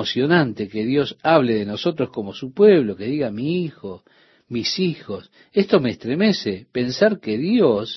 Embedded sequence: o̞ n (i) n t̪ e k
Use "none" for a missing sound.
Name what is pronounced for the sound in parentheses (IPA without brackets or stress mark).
a